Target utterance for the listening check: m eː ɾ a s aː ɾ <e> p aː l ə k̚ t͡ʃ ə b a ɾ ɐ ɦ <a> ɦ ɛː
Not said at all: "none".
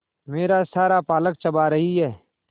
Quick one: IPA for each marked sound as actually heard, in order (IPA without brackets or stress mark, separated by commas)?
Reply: a, i